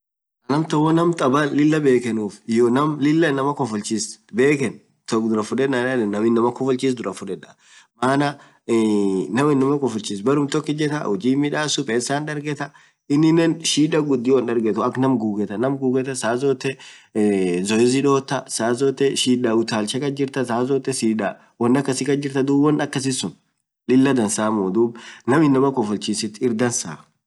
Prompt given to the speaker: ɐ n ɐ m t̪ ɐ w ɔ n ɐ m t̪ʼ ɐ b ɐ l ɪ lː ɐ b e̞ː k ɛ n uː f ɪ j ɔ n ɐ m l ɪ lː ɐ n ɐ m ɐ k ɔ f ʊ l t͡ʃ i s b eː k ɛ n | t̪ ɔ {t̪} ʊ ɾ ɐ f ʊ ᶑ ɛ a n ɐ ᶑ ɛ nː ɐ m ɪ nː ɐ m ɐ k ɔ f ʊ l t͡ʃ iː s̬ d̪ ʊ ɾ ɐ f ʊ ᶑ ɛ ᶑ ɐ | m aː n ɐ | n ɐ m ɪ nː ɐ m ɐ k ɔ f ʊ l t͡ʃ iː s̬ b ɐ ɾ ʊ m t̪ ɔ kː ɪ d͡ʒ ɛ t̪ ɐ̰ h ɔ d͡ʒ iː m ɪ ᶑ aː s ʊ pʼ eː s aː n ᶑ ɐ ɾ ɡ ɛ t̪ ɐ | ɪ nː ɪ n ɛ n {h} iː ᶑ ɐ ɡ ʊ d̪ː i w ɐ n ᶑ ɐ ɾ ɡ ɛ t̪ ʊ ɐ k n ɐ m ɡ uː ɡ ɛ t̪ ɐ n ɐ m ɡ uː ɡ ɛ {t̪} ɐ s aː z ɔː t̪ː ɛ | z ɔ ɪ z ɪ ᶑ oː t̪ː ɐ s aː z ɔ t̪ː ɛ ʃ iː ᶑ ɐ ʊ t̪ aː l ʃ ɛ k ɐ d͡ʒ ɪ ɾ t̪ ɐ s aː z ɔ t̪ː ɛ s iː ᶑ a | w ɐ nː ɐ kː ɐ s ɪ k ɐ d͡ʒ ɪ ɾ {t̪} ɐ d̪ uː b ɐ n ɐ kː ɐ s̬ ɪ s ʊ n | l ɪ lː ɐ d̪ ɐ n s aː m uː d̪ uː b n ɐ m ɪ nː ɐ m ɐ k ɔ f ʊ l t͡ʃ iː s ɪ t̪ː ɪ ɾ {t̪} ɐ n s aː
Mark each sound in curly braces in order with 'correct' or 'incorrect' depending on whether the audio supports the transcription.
incorrect, incorrect, correct, correct, incorrect

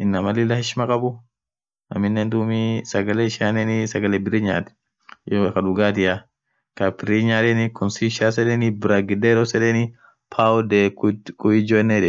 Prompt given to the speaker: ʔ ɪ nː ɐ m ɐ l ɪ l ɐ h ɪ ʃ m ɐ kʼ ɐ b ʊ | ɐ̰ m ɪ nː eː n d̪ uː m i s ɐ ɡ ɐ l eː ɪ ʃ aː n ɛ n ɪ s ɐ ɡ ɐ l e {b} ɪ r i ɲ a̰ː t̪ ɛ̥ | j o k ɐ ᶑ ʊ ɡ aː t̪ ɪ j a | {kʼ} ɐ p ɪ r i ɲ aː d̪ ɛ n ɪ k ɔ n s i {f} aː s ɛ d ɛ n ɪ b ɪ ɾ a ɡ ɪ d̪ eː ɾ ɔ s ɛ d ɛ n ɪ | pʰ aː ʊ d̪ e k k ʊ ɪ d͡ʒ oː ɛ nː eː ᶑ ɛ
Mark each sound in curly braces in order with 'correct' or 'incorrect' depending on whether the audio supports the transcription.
correct, incorrect, incorrect

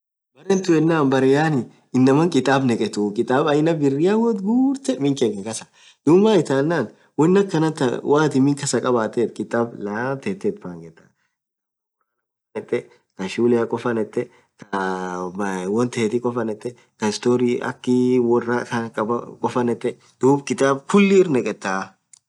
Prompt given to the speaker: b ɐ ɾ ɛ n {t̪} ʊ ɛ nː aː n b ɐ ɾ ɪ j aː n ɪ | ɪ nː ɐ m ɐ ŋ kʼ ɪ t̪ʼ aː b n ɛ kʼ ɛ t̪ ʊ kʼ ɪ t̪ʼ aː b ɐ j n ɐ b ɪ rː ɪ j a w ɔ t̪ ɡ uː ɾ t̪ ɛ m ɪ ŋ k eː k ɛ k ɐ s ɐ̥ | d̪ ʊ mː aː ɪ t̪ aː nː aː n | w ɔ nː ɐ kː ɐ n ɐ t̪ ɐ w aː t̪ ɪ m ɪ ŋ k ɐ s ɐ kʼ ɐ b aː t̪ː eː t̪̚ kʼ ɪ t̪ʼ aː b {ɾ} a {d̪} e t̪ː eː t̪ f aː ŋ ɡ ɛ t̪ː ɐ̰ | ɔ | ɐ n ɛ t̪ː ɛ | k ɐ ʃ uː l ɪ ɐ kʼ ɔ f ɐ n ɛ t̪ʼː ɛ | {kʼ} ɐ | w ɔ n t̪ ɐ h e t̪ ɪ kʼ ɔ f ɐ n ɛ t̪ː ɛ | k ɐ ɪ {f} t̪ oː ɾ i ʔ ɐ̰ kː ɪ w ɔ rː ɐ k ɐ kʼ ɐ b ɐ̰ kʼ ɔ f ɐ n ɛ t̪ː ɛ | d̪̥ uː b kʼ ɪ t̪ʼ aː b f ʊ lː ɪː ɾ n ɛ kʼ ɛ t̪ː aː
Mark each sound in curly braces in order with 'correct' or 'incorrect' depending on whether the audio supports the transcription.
correct, incorrect, incorrect, incorrect, incorrect

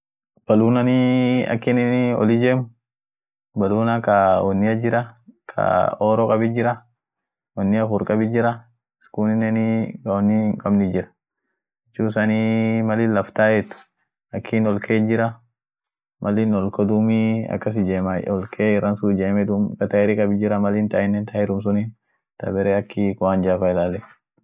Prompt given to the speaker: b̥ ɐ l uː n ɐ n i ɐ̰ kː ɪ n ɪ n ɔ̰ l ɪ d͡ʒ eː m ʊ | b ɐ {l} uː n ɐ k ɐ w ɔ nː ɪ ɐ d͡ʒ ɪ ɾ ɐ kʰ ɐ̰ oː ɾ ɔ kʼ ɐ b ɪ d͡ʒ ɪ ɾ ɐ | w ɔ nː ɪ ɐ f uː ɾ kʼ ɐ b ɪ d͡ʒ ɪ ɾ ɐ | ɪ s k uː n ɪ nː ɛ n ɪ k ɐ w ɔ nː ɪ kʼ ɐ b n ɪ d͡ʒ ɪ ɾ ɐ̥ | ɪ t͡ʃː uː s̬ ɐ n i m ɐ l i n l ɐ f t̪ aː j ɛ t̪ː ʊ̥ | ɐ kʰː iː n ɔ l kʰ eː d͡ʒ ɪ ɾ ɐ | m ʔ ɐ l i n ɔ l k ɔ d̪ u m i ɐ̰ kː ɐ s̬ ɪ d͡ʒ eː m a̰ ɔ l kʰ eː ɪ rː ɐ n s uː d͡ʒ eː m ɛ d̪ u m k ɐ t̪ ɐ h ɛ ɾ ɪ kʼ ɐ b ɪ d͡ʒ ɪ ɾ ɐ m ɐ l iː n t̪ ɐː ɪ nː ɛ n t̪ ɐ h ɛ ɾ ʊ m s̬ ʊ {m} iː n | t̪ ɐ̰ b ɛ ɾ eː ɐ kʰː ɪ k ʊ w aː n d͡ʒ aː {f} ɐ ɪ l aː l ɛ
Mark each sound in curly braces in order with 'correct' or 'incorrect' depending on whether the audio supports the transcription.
correct, incorrect, correct

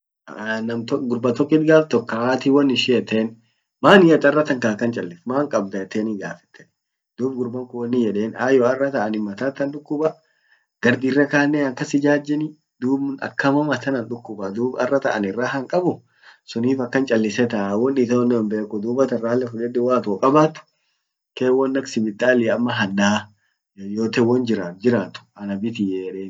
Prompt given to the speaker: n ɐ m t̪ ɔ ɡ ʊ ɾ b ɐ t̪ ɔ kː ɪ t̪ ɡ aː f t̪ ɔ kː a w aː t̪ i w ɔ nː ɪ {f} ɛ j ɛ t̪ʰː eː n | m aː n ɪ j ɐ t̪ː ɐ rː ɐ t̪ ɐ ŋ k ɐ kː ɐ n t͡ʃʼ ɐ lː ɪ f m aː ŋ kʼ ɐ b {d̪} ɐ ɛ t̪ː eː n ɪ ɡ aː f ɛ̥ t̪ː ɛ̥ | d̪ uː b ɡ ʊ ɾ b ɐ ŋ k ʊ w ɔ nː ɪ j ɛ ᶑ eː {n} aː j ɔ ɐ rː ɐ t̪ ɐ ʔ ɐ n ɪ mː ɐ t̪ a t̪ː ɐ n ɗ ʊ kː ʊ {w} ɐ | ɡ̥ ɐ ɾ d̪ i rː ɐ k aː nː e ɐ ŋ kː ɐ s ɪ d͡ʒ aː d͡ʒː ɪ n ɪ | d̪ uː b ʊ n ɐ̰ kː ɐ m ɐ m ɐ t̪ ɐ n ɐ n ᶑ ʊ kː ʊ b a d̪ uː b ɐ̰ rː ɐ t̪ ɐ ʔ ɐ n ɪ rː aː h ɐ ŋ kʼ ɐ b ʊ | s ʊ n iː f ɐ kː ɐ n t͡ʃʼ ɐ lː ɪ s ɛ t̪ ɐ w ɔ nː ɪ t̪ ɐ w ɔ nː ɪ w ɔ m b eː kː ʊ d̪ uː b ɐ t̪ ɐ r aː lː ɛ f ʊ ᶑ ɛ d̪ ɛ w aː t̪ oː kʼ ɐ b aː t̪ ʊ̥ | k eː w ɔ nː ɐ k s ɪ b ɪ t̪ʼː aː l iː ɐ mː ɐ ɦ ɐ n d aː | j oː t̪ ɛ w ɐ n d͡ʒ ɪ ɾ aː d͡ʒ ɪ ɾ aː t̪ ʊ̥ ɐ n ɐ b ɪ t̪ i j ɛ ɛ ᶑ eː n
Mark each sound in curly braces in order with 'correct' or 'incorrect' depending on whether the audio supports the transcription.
incorrect, correct, correct, incorrect

